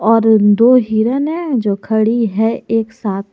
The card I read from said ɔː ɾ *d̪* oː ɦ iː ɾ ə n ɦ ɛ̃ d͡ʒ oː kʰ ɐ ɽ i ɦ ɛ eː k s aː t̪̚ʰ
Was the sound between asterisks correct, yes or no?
yes